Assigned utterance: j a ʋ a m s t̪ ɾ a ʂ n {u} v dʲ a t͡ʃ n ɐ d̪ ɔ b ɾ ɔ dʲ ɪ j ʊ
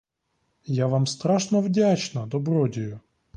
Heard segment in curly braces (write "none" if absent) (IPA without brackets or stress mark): ɔ